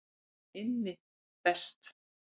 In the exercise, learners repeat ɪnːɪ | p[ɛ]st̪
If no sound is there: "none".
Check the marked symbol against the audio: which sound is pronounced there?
ɛ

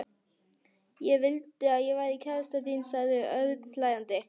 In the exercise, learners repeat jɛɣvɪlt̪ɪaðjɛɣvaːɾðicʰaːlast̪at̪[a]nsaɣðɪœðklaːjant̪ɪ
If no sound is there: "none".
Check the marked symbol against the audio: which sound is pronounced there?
i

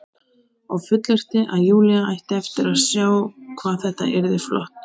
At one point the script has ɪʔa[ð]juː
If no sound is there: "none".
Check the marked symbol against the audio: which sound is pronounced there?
ð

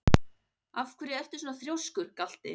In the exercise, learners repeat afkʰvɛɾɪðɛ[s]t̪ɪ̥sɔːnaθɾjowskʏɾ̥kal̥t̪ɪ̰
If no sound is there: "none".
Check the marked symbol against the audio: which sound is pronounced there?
f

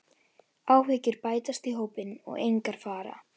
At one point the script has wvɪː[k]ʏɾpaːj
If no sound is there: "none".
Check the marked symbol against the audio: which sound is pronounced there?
c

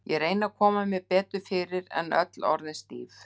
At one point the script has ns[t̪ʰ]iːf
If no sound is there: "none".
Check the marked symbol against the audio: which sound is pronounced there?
t̪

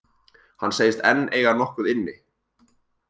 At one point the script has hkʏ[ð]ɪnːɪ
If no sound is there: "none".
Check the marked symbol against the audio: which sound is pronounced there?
ð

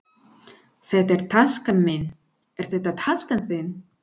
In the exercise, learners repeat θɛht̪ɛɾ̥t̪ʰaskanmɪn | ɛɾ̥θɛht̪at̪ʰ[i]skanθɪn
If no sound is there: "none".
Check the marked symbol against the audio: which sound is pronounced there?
a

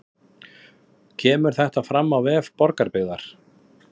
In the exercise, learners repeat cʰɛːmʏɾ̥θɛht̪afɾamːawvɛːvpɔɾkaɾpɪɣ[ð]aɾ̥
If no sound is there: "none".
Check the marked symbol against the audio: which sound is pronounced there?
ð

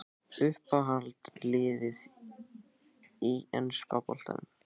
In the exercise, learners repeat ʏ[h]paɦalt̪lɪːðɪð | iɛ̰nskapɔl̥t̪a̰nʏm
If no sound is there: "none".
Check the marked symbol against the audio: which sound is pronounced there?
h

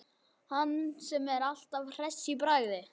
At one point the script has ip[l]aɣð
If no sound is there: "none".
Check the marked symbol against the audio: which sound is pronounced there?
ɾ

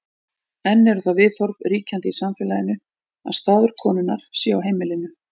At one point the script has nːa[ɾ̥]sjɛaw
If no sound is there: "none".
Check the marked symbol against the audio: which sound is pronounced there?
ɾ̥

